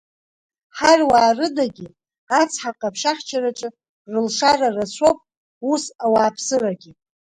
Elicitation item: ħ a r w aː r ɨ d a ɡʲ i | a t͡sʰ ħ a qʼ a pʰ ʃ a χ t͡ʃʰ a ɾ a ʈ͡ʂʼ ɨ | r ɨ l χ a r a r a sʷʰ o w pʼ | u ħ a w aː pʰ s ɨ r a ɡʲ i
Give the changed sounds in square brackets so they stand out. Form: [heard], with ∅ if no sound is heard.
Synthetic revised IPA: ħ a r w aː r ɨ d a ɡʲ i | a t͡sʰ ħ a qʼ a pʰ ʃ a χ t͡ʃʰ a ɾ a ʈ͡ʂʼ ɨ | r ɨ l [ʂ] a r a r a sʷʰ o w pʼ | u [s] a w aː pʰ s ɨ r a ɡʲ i